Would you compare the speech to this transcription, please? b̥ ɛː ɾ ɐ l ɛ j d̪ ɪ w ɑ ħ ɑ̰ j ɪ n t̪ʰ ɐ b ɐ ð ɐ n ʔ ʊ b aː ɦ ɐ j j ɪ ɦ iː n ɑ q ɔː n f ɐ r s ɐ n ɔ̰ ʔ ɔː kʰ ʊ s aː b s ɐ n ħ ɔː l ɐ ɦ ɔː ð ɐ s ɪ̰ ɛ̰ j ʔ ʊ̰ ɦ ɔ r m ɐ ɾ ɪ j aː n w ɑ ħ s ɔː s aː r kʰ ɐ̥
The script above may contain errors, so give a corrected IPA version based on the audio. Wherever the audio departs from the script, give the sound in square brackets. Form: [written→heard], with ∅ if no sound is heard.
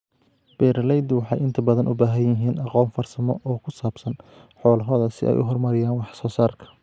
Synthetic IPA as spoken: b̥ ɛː ɾ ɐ l ɛ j d̪ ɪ w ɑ ħ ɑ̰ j ɪ n t̪ʰ ɐ b ɐ ð ɐ n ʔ ʊ b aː ɦ ɐ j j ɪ ɦ iː n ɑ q ɔː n f ɐ r s ɐ [n→m] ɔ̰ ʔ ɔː kʰ ʊ s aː b s ɐ n ħ ɔː l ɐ ɦ ɔː ð ɐ s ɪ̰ ɛ̰ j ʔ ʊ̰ ɦ ɔ r m ɐ ɾ ɪ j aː n w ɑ ħ s ɔː s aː r kʰ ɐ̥